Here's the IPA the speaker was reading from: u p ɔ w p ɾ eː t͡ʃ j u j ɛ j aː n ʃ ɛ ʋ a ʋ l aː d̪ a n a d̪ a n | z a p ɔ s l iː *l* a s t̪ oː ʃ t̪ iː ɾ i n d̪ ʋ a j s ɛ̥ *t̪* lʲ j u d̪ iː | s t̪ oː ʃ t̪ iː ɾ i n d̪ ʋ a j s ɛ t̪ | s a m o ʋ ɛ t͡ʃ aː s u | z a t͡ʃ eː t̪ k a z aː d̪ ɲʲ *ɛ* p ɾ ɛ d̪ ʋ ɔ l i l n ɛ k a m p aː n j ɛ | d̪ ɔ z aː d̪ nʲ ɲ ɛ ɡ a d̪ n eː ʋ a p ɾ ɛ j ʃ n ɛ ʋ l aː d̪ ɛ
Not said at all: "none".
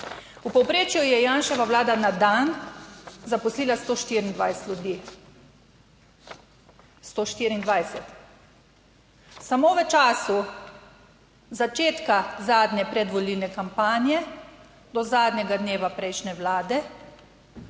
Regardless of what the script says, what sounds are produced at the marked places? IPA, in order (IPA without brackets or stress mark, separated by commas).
l, t̪, ɛ